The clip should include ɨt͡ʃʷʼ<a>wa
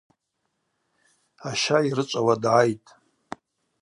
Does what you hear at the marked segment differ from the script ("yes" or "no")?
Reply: no